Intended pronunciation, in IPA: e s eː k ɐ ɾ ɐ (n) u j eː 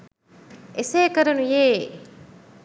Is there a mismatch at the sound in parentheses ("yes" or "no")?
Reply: no